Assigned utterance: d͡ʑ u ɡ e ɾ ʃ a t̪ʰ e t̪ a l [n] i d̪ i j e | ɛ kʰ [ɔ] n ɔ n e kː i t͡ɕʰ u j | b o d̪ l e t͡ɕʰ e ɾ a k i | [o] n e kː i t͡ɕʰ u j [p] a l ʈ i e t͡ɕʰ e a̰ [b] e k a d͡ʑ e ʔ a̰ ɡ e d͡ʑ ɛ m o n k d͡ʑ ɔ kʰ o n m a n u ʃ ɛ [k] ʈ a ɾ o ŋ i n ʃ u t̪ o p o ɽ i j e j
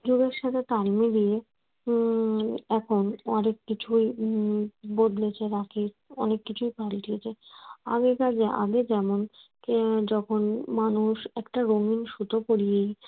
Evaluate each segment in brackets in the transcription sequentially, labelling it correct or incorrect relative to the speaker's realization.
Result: incorrect: m, incorrect: o, incorrect: ɔ, correct, incorrect: ɡ, correct

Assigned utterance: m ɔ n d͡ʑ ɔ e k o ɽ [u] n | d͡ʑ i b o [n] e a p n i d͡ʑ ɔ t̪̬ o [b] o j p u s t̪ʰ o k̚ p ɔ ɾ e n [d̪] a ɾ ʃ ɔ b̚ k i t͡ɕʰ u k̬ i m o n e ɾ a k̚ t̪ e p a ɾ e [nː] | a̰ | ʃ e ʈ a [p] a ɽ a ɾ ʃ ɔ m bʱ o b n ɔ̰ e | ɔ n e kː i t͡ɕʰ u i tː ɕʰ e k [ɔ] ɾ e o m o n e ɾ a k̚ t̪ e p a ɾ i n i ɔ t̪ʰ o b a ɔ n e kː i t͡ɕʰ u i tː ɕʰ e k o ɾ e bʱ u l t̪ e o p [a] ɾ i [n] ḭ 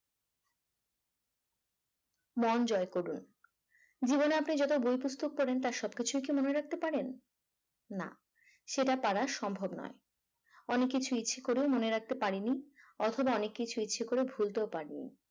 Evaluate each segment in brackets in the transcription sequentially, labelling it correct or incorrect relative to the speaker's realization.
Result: correct, correct, correct, incorrect: t̪, correct, correct, incorrect: o, correct, correct

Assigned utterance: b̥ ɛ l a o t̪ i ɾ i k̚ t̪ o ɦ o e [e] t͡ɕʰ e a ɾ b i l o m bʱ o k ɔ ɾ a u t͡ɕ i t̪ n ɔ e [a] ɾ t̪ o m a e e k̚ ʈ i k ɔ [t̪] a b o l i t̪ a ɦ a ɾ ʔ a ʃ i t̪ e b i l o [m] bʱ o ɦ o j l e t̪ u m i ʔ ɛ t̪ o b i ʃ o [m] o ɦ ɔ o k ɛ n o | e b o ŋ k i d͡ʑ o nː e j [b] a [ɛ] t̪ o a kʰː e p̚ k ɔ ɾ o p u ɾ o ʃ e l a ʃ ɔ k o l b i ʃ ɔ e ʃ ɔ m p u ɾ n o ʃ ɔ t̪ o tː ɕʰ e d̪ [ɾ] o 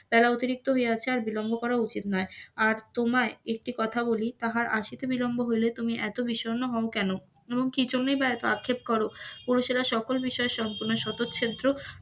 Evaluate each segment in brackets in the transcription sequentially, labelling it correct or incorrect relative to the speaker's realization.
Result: incorrect: a, correct, incorrect: t̪ʰ, correct, incorrect: n, correct, correct, correct

